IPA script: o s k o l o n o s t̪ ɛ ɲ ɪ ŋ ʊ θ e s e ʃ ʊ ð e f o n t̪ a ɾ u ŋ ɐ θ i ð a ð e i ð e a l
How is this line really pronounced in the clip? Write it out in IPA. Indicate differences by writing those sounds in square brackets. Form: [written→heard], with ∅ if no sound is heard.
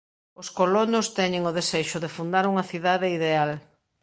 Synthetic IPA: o s k o l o n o s t̪ ɛ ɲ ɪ ŋ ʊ [θ→ð] e s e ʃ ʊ ð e f [o→u] n [t̪→d̪] a ɾ u ŋ ɐ θ i ð a ð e i ð e a l